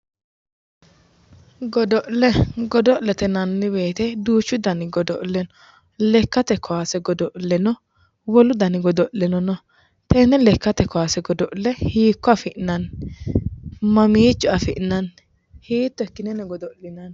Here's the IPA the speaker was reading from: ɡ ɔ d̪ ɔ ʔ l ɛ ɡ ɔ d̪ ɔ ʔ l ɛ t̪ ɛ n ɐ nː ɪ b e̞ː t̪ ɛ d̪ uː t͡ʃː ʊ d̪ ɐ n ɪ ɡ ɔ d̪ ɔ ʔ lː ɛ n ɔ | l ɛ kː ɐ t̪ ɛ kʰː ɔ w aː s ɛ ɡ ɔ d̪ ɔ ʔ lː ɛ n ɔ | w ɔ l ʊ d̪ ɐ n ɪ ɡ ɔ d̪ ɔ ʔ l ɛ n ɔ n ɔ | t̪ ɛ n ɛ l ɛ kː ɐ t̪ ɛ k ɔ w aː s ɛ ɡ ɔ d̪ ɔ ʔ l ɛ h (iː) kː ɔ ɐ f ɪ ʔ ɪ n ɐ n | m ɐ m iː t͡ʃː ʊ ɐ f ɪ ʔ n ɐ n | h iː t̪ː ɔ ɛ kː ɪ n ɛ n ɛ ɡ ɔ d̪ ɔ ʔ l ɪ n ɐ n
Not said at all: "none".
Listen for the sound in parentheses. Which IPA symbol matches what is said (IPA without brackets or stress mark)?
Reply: iː